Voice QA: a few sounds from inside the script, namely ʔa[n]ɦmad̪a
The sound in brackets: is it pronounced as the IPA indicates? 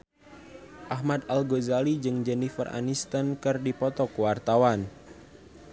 no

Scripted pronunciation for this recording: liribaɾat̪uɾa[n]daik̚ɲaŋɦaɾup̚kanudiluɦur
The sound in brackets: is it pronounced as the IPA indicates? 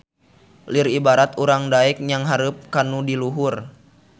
no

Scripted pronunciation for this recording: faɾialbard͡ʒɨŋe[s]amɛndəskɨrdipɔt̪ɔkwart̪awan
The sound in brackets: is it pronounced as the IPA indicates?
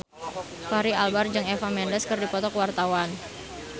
no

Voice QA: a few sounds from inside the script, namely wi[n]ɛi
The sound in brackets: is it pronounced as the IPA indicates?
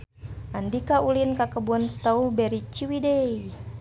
no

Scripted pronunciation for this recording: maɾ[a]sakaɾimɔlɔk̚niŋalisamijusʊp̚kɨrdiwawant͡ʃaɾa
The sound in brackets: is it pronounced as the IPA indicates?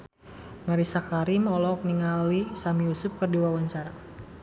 no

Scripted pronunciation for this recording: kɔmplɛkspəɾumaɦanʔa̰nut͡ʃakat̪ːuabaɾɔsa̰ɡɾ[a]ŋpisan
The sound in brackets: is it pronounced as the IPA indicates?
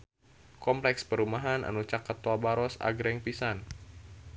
no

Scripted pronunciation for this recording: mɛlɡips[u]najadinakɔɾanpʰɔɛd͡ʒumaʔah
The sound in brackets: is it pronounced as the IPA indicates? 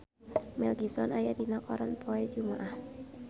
no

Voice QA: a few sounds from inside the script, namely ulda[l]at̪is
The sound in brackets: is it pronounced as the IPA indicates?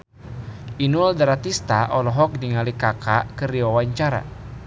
no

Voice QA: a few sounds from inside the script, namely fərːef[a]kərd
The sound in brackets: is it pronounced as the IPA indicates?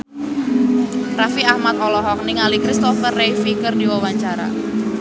no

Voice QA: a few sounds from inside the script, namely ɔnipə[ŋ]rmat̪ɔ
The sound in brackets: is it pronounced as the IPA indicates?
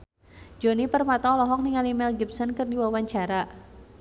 no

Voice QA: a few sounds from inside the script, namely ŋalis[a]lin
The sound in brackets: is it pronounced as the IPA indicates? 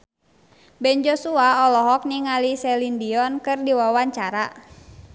no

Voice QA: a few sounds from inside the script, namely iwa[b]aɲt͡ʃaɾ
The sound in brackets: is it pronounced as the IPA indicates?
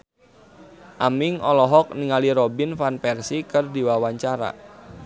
no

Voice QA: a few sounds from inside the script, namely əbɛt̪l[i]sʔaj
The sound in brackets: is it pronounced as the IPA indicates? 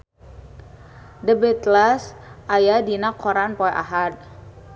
no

